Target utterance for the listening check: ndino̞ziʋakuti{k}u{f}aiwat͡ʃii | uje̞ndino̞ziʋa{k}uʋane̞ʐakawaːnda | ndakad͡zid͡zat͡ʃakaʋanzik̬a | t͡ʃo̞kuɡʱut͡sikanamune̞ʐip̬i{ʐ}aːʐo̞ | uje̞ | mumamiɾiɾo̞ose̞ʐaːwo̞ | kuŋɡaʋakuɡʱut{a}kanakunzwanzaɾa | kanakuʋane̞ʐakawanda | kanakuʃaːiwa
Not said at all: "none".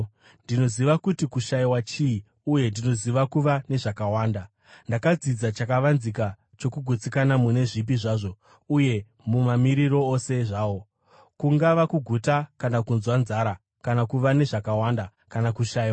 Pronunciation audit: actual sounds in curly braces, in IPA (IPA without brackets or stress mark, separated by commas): k, ʃ, k, ʐ, a